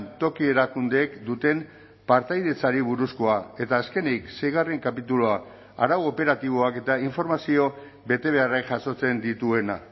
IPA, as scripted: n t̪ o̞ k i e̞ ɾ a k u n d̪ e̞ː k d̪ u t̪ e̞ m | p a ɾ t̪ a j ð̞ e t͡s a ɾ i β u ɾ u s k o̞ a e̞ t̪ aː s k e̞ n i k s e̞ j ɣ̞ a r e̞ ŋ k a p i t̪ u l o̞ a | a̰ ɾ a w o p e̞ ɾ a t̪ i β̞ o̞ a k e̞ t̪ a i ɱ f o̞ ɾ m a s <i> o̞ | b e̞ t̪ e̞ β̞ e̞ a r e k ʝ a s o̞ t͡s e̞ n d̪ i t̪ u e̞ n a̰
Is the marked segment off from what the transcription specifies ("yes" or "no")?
no